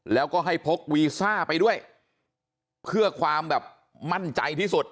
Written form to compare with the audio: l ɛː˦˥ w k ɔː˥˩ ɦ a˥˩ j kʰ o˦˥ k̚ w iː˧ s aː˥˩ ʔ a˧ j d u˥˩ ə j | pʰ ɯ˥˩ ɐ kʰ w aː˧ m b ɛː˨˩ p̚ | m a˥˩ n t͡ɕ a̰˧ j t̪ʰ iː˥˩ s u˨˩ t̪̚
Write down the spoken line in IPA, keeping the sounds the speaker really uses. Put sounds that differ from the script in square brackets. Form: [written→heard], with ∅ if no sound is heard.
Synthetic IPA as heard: l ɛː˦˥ w k ɔː˥˩ ɦ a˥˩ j [kʰ→pʰ] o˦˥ k̚ w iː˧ s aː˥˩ [ʔ→p] a˧ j d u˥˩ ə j | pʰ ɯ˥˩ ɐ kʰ w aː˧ m b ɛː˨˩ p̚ | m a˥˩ n t͡ɕ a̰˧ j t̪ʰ iː˥˩ s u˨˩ t̪̚